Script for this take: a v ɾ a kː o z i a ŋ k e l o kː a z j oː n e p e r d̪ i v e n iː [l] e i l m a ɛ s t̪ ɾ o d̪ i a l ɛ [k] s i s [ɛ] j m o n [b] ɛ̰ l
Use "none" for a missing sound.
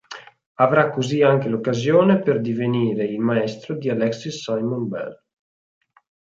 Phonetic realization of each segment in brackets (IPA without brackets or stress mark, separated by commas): ɾ, k, a, b